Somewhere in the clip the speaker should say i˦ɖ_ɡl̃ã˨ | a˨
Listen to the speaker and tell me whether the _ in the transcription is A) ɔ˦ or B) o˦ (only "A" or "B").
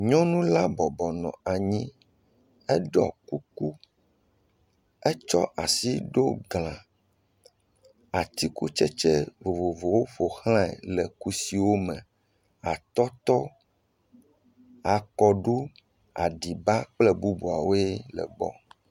B